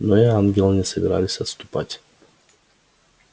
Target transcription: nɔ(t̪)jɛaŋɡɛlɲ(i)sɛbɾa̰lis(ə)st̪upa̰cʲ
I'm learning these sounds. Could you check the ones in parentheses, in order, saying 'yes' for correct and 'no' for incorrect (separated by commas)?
no, no, no